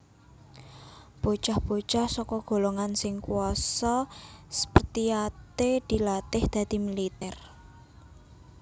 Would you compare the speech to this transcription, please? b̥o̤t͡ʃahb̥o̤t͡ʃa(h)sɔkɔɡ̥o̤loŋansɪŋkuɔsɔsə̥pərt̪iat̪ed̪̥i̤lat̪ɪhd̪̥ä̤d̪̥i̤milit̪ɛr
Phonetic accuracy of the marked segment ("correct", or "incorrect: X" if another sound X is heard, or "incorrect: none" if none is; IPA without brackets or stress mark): correct